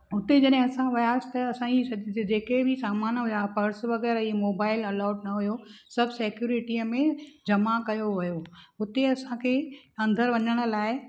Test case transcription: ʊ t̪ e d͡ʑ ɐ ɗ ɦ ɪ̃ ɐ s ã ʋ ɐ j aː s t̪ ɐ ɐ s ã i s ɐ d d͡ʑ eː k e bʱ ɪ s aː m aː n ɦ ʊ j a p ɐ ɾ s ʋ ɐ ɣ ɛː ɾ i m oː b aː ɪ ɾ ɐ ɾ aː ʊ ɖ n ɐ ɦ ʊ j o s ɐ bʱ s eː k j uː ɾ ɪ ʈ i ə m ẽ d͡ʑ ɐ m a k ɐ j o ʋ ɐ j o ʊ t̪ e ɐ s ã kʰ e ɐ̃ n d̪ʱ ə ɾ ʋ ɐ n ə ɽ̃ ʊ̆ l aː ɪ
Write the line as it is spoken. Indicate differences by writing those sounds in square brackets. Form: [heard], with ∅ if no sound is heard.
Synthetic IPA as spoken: ʊ t̪ e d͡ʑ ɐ ɗ ɦ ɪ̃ ɐ s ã ʋ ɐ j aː s t̪ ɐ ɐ s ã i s ɐ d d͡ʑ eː k e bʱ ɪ s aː m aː n ɦ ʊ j a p ɐ ɾ s ʋ ɐ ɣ ɛː ɾ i m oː b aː ɪ [l] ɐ [l] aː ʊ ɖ n ɐ ɦ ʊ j o s ɐ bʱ s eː k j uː ɾ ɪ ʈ i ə m ẽ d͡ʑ ɐ m a k ɐ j o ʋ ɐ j o ʊ t̪ e ɐ s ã kʰ e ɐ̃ n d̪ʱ ə ɾ ʋ ɐ [ɲ] ə ɽ̃ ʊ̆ l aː ɪ